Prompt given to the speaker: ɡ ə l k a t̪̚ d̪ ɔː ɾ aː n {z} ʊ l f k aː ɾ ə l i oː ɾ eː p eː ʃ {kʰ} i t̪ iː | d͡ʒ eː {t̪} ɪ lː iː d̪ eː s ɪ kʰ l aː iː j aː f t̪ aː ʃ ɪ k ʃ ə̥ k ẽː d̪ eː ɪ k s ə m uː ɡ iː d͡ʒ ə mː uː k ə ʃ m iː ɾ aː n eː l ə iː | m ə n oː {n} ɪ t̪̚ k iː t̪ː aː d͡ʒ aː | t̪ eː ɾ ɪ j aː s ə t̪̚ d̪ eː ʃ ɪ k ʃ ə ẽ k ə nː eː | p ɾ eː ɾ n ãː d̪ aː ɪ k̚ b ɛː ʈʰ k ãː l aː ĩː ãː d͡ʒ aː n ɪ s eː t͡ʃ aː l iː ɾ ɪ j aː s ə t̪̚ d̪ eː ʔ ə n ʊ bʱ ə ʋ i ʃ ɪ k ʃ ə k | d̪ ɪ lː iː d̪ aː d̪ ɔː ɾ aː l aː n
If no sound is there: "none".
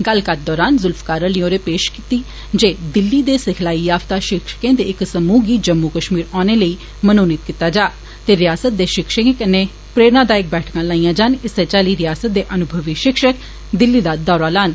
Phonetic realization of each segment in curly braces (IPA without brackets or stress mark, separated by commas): z, k, d̪, n